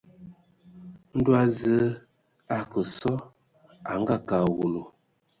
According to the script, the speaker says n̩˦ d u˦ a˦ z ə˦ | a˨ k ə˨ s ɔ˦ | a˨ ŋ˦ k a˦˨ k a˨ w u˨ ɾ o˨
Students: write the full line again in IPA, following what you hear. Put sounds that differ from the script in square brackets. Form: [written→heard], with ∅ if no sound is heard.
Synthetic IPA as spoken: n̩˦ d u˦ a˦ z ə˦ | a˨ k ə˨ s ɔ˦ | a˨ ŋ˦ [k→ɡ] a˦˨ k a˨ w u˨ [ɾ→l] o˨